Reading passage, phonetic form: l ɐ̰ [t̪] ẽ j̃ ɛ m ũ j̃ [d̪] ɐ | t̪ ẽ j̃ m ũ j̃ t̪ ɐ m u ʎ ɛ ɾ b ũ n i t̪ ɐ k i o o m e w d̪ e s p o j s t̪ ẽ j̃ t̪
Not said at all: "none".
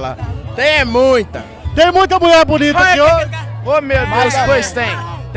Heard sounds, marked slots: t̪, t̪

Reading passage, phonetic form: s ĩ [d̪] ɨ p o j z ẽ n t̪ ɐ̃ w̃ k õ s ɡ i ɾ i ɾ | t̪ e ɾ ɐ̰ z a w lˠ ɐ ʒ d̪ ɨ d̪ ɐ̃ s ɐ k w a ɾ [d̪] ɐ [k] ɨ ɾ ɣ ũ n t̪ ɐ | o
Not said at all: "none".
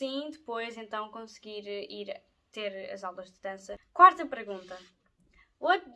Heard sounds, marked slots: d̪, t̪, p

